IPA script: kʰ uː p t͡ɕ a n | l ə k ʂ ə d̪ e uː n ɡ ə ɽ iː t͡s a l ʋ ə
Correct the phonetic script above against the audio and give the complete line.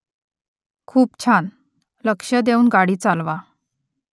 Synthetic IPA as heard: kʰ uː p t͡ɕʰ a n | l ə k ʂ ə d̪ e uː n ɡ a ɽ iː t͡s a l ʋ a